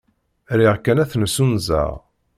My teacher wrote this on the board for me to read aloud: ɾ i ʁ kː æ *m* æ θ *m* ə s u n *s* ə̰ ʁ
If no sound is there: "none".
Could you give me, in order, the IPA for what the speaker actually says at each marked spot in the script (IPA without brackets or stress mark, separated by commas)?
n, n, z